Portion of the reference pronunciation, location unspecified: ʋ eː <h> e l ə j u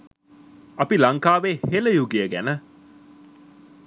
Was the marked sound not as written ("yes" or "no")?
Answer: no